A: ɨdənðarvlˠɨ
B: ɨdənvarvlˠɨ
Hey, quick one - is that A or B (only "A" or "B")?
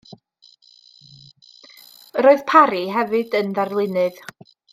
A